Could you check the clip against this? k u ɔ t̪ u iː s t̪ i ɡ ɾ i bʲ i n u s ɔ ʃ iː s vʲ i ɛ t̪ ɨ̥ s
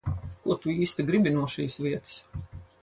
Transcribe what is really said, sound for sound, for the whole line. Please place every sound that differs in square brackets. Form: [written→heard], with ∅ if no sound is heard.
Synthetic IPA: k u ɔ t̪ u iː s t̪ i ɡ ɾ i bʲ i n u [s→∅] ɔ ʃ iː s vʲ i ɛ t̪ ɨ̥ s